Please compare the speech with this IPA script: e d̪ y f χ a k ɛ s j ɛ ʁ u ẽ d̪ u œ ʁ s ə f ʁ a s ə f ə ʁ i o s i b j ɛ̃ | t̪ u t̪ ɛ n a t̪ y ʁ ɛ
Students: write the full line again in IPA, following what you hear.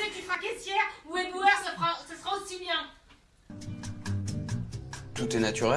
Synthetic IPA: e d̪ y f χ a k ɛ s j ɛ ʁ u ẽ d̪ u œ ʁ s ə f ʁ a s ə s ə ʁ a o s i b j ɛ̃ | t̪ u t̪ ɛ n a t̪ y ʁ ɛ